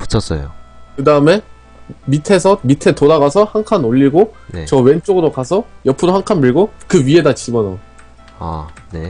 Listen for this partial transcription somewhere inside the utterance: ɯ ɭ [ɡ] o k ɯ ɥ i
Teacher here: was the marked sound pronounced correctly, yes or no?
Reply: yes